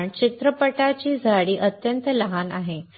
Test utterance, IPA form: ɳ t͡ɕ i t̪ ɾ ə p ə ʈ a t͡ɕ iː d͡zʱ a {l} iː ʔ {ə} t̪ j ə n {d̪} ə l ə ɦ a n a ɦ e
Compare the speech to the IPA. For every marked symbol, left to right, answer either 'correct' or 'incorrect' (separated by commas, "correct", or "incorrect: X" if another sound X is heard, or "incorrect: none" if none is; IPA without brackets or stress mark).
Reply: incorrect: ɽ, correct, incorrect: t̪